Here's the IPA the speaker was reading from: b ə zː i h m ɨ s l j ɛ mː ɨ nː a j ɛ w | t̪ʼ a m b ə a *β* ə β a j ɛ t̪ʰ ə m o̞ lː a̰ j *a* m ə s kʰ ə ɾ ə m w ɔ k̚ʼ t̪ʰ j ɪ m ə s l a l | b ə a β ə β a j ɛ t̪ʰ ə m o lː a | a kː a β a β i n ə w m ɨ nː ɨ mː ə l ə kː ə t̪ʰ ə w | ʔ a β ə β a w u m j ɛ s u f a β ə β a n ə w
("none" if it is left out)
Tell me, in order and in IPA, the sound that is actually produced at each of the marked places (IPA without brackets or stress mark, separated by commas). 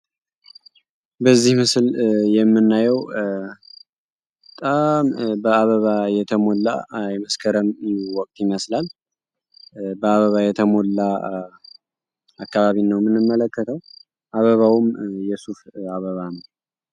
β, ɛ